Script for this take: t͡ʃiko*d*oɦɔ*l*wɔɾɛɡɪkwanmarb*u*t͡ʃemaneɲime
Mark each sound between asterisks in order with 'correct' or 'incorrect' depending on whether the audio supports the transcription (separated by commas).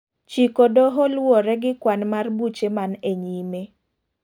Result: correct, correct, correct